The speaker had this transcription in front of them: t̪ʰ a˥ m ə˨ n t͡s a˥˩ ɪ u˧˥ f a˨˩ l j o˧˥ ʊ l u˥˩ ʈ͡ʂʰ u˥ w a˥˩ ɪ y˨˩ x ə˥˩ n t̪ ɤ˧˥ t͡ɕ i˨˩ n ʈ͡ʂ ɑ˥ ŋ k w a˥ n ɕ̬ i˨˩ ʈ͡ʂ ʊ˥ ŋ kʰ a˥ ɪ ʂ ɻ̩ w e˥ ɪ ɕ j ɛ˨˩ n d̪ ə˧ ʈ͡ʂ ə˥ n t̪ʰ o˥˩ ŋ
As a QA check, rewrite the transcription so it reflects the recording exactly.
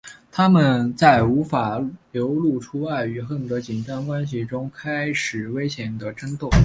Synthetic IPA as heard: t̪ʰ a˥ m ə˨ n t͡s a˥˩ ɪ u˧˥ f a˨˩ l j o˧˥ ʊ l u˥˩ ʈ͡ʂʰ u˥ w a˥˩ ɪ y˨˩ x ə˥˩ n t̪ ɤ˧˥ t͡ɕ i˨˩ n ʈ͡ʂ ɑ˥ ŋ k w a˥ n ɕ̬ i˨˩ ʈ͡ʂ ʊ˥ ŋ kʰ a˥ ɪ ʂ ɻ̩ w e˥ ɪ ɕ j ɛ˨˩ n d̪ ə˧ ʈ͡ʂ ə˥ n t̪ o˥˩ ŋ

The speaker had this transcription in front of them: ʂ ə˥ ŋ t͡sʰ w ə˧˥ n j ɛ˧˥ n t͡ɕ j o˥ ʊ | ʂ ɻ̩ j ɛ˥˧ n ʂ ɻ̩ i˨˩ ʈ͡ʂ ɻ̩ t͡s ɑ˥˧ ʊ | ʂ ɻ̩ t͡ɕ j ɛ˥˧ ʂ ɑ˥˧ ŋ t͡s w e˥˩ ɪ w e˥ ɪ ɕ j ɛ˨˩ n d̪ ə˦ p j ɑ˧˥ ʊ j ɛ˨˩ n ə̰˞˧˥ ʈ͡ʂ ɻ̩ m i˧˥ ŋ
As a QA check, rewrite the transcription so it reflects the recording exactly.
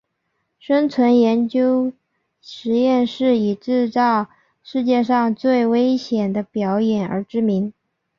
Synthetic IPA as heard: ʂ ə˥ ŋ t͡sʰ w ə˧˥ n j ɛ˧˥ n t͡ɕ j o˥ ʊ | ʂ ɻ̩ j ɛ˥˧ n ʂ ɻ̩ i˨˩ ʈ͡ʂ ɻ̩ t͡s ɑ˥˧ ʊ | ʂ ɻ̩ t͡ɕ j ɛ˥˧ ʂ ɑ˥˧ ŋ t͡s w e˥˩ ɪ w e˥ ɪ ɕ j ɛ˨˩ n d̪ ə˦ p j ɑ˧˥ ʊ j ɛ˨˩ n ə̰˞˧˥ ʈ͡ʂ ɻ̩ m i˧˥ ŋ

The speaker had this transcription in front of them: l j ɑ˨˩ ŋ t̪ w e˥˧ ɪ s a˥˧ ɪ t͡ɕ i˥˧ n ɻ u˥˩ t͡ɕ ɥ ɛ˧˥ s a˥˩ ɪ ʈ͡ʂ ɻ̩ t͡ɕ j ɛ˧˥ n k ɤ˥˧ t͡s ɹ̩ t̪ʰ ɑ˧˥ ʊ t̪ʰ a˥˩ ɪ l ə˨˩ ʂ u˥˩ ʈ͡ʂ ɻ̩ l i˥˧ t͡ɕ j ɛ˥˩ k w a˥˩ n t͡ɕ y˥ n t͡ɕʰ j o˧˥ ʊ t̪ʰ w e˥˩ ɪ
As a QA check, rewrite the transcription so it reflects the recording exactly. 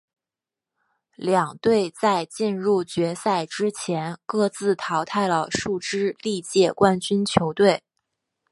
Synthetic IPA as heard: l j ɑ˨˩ ŋ t̪ w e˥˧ ɪ t͡s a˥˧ ɪ t͡ɕ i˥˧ n ɻ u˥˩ t͡ɕ ɥ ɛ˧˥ s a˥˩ ɪ ʈ͡ʂ ɻ̩ t͡ɕʰ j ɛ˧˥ n k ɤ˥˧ t͡s ɹ̩ t̪ʰ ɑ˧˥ ʊ t̪ʰ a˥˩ ɪ l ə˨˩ ʂ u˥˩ ʈ͡ʂ ɻ̩ l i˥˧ t͡ɕ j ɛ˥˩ k w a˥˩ n t͡ɕ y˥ n t͡ɕʰ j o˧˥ ʊ t̪ w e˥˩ ɪ

